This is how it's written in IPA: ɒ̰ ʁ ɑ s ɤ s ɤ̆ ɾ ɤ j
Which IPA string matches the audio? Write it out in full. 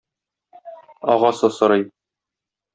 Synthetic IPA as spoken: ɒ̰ ʁ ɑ s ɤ s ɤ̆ ɾ ɤ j